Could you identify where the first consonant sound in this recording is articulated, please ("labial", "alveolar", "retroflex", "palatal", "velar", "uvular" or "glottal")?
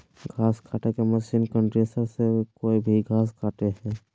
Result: velar